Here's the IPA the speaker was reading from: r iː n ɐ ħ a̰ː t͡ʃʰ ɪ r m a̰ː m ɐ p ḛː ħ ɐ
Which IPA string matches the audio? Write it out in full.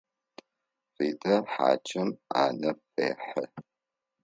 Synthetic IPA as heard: r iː d ɐ ħ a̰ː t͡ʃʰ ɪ m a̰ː n ɐ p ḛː ħ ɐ

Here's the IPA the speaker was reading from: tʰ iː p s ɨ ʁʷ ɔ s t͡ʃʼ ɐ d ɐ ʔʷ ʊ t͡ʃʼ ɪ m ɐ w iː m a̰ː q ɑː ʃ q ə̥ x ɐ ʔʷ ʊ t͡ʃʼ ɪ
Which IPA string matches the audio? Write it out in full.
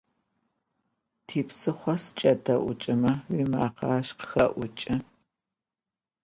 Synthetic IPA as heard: tʰ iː p s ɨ χʷ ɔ s t͡ʃʼ ɐ d ɐ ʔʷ ʊ t͡ʃʼ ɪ m ɐ w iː m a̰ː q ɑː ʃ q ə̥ x ɐ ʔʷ ʊ t͡ʃʼ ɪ

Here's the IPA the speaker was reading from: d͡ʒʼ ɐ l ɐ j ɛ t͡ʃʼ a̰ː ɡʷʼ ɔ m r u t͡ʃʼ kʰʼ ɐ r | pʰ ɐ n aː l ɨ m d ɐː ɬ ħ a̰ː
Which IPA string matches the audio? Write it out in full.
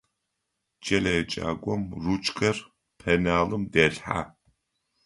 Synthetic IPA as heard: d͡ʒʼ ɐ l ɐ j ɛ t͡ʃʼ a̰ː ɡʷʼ ɔ m r u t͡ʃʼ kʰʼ ɐ r | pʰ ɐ n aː l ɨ m d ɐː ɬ ħ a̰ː

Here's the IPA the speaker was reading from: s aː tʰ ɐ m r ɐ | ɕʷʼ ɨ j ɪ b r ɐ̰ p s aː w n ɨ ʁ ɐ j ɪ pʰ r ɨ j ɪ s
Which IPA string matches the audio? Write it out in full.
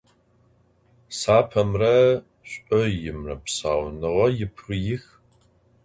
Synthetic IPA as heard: s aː pʰ ɐ m r ɐ | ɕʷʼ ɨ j ɪ m r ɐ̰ p s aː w n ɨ ʁ ɐ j ɪ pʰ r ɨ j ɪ x

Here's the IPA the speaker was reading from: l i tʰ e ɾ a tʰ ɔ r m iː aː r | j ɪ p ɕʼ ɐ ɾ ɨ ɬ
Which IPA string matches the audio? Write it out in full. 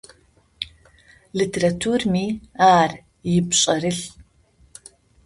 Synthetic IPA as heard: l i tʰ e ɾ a tʰ u r m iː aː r | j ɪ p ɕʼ ɐ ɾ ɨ ɬ

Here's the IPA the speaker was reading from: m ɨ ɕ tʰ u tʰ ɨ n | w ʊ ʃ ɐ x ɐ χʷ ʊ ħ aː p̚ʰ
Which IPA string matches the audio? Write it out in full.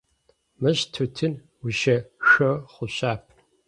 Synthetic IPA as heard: m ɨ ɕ tʰ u tʰ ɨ n | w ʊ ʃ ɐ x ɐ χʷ ʊ ɕ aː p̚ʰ

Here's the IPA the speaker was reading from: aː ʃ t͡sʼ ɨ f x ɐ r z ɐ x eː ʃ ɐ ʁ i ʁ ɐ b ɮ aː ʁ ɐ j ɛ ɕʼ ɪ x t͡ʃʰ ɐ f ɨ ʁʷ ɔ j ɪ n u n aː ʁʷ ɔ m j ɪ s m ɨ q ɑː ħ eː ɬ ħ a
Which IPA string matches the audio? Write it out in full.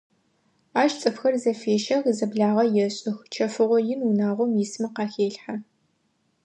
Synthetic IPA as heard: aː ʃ t͡sʼ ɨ f x ɐ r z ɐ f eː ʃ ɐ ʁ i z ɐ b ɮ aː ʁ ɐ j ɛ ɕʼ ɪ x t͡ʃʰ ɐ f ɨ ʁʷ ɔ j ɪ n u n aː ʁʷ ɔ m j ɪ s m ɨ q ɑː x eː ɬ ħ a

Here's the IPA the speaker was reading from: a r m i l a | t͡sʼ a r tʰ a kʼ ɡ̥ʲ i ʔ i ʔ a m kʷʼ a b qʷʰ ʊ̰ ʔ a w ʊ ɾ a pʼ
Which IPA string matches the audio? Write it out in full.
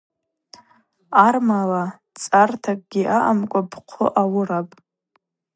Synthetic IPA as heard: a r m a l a | t͡sʼ a r tʰ a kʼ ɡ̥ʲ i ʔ a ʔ a m kʷʼ a b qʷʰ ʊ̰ ʔ a w ʊ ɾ a pʼ

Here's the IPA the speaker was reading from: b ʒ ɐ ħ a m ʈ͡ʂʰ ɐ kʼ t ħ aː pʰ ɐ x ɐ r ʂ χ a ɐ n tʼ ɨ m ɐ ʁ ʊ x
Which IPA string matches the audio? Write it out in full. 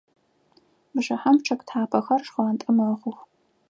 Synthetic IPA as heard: b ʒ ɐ ħ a m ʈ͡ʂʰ ɐ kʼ t ħ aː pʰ ɐ x ɐ r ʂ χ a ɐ n tʼ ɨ m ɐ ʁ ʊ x

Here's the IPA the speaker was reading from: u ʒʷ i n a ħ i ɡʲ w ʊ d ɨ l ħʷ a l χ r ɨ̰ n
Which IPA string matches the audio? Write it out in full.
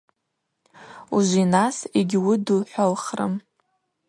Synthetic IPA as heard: u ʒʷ i n a s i ɡʲ w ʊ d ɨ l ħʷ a l χ r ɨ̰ m

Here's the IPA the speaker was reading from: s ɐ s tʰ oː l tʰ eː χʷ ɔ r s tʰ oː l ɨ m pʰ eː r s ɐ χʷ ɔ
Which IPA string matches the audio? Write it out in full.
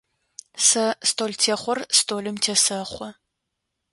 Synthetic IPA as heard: s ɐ s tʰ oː l tʰ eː χʷ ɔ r s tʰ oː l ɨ m tʰ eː s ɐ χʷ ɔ

